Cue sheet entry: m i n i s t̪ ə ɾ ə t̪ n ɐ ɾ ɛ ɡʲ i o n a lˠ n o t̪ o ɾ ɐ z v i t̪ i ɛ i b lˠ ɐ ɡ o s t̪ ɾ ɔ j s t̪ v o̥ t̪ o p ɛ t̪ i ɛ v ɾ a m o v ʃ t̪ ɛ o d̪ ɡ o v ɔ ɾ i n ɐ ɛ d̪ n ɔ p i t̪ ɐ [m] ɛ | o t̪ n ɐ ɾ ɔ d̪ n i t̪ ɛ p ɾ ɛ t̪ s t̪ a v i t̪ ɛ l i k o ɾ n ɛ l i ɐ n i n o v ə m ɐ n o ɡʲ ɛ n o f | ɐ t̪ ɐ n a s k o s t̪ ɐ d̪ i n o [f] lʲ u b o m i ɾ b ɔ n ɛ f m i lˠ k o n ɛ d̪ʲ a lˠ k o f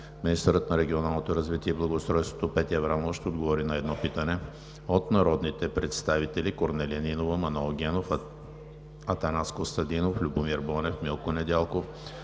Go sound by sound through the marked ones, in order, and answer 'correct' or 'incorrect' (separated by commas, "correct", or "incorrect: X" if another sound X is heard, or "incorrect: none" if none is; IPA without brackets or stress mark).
incorrect: n, correct